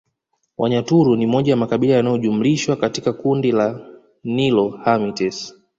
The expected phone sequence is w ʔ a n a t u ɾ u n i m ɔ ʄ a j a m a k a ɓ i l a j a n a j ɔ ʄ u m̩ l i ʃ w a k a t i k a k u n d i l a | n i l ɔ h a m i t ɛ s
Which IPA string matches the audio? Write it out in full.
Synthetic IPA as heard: w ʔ a ɲ a t u ɾ u n i m ɔ ʄ a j a m a k a ɓ i l a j a n a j ɔ ʄ u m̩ l i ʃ w a k a t i k a k u n d i l a | n i l ɔ h a m i t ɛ s